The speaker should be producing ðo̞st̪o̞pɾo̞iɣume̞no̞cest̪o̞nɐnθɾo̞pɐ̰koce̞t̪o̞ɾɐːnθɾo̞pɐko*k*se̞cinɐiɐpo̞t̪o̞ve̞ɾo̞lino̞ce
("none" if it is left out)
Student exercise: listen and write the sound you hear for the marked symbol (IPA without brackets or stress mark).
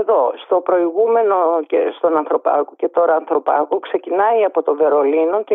k